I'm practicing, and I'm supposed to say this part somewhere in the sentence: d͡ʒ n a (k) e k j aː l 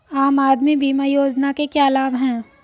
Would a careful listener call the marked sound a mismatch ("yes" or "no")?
no